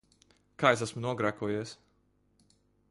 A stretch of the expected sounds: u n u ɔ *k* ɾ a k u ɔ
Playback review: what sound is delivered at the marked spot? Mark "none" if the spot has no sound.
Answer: ɡ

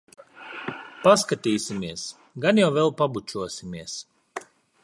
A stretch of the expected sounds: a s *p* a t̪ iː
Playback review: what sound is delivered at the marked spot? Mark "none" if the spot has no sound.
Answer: k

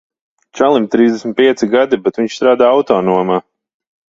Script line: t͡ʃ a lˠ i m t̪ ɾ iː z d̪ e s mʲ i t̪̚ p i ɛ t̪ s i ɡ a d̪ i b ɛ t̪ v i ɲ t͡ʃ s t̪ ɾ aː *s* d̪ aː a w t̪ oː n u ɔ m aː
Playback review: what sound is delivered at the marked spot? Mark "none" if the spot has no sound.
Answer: none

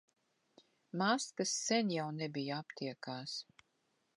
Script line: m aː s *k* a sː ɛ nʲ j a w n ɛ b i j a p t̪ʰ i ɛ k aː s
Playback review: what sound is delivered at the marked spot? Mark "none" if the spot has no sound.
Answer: k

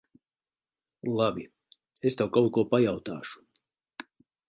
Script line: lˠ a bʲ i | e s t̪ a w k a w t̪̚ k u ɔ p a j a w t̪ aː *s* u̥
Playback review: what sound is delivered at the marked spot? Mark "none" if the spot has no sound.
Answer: ʃ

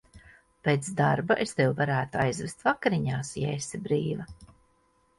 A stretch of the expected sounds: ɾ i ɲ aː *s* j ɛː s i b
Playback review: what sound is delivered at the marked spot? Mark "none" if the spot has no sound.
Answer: s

